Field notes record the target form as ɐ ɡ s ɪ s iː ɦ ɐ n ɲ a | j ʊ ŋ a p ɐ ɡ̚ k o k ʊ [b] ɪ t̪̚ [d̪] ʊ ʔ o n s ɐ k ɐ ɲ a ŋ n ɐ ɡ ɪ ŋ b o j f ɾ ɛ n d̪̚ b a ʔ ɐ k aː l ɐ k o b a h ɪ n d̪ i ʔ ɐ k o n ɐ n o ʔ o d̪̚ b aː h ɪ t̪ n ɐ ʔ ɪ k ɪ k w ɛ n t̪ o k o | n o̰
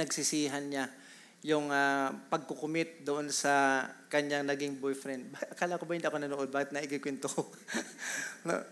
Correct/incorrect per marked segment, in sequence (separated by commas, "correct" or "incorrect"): incorrect, correct